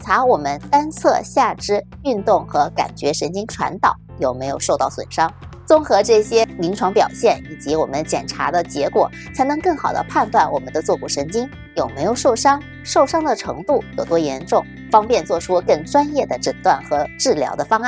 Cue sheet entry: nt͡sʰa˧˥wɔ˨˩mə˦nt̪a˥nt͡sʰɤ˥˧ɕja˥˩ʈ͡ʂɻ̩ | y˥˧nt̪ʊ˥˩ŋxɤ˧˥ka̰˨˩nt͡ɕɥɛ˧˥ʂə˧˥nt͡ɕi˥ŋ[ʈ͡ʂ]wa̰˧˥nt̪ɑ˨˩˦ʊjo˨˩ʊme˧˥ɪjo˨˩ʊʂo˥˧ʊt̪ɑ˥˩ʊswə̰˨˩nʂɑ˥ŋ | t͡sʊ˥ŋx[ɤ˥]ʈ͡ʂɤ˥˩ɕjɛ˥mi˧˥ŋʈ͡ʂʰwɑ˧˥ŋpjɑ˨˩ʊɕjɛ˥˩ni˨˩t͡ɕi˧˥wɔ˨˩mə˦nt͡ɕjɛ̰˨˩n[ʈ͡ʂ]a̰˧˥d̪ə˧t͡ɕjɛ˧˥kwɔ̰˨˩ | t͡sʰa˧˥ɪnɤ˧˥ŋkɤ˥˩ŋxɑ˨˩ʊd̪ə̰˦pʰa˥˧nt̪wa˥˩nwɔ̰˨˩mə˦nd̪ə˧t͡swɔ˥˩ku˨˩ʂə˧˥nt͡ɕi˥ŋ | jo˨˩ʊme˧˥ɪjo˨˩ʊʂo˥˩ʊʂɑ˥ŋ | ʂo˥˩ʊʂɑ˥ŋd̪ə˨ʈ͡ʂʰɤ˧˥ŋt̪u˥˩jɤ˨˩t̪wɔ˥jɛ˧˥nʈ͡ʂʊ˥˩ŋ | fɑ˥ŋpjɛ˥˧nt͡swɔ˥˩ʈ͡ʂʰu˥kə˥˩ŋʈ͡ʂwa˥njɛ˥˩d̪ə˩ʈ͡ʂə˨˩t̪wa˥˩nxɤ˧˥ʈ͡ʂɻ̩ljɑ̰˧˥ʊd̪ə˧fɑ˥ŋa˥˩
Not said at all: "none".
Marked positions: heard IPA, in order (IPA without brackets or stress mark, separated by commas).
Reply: ʈ͡ʂʰ, ɤ˧˥, ʈ͡ʂʰ